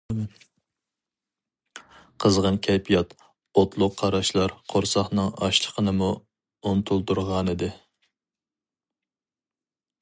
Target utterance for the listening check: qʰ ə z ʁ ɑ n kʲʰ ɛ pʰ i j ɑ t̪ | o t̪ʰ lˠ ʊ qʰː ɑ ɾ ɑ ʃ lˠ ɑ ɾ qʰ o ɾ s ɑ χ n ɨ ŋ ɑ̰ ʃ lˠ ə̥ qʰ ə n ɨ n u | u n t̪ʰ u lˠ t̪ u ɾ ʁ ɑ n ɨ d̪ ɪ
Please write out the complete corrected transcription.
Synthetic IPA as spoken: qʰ ə z ʁ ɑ n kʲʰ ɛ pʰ i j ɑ t̪ | o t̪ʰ lˠ ʊ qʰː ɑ ɾ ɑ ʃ lˠ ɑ ɾ qʰ o ɾ s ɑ χ n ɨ ŋ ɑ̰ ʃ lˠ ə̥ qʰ ə n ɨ m u | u n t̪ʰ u lˠ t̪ u ɾ ʁ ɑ n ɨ d̪ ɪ

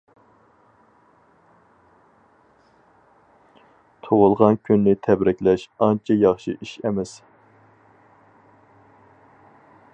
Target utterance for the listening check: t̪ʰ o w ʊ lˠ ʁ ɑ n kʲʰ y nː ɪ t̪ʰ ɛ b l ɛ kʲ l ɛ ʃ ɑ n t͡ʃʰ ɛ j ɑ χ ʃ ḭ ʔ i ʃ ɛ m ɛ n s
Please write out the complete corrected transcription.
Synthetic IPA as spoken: t̪ʰ o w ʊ lˠ ʁ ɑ n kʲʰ y nː ɪ t̪ʰ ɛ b ɾ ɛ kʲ l ɛ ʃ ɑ n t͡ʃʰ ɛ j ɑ χ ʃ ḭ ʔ i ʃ ɛ m ɛ s

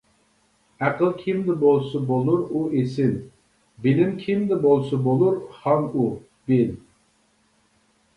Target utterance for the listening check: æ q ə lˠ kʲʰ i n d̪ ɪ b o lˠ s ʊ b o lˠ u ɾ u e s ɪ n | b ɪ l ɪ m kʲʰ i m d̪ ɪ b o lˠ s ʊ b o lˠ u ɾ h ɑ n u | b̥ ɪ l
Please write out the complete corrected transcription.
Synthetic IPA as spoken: æ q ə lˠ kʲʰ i m d̪ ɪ b o lˠ s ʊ b o lˠ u ɾ u e s ɪ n | b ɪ l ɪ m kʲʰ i m d̪ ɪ b o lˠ s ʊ b o lˠ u ɾ h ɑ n u | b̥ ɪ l

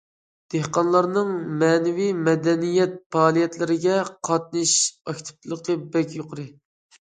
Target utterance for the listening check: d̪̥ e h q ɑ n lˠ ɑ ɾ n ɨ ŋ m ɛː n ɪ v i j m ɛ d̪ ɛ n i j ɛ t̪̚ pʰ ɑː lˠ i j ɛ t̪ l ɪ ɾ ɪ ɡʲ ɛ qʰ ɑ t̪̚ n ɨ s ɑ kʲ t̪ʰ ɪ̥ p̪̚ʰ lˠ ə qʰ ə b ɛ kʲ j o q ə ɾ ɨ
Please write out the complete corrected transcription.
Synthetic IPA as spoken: d̪̥ e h q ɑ n lˠ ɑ ɾ n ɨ ŋ m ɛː n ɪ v i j m ɛ d̪ ɛ n i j ɛ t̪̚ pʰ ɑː lˠ i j ɛ t̪ l ɪ ɾ ɪ ɡʲ ɛ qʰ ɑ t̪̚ n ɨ ʃ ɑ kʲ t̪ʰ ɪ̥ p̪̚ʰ lˠ ə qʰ ə b ɛ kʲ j o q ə ɾ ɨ

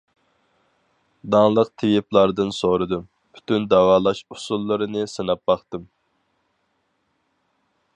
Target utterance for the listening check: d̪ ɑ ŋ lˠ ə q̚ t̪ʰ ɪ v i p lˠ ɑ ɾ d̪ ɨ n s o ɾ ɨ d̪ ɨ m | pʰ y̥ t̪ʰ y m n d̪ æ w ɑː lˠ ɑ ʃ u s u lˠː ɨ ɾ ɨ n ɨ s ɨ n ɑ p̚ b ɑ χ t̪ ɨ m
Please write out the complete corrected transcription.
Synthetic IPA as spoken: d̪ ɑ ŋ lˠ ə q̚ t̪ʰ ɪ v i p lˠ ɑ ɾ d̪ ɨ n s o ɾ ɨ d̪ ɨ m | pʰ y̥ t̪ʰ y n d̪ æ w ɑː lˠ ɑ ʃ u s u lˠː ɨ ɾ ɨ n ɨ s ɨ n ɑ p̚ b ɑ χ t̪ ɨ m

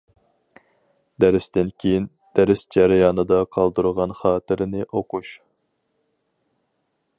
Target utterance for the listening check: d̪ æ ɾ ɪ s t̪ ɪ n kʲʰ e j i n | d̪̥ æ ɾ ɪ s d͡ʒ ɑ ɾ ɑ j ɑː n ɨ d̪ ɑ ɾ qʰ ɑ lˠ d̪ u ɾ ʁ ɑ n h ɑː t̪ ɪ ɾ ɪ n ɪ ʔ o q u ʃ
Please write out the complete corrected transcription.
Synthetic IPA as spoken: d̪ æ ɾ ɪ s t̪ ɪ n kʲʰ e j i n | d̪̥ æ ɾ ɪ s d͡ʒ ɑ ɾ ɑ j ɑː n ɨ d̪ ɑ qʰ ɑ lˠ d̪ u ɾ ʁ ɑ n χ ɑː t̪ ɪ ɾ ɪ n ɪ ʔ o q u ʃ

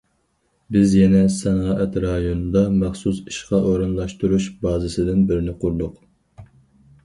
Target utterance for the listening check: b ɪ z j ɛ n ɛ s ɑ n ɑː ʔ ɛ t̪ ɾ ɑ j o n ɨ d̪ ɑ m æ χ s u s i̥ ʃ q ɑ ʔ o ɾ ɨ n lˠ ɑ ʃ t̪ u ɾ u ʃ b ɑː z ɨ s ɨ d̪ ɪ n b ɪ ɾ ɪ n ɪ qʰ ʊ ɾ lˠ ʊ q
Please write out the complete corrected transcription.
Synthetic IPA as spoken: b ɪ z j ɛ n ɛ s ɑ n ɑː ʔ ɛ t̪ ɾ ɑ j o n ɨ d̪ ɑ m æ χ s u s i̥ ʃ q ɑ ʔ o ɾ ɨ n lˠ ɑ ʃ t̪ u ɾ u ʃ b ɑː z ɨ s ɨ d̪ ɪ n b ɪ ɾ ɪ n ɪ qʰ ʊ ɾ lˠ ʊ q

